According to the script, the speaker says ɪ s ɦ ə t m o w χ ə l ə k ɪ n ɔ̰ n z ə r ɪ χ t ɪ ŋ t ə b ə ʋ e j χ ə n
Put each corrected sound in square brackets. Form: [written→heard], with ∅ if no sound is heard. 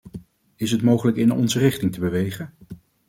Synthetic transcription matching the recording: ɪ s ɦ ə t m o w χ ə l ə k ɪ n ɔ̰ n z ə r ɪ χ t ɪ ŋ t ə b ə ʋ e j χ ə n